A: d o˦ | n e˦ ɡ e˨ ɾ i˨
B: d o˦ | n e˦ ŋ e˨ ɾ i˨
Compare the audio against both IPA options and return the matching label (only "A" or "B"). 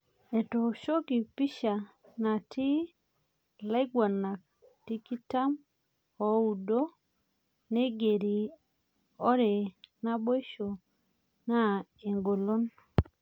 A